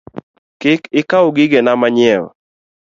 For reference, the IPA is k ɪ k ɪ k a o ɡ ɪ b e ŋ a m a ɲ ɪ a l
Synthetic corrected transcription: k ɪ k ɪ k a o ɡ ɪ ɡ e n a m a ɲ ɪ ɛ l